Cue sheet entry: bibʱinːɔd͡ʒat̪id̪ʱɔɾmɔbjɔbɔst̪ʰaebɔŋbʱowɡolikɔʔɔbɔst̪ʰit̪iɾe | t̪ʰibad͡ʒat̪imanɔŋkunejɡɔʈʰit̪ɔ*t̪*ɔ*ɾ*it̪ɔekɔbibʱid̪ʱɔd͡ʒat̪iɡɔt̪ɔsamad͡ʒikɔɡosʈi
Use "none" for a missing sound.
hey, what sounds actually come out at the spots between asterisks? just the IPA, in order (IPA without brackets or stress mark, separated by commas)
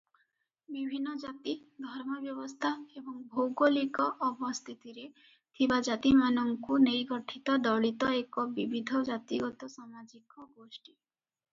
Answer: d̪, ɭ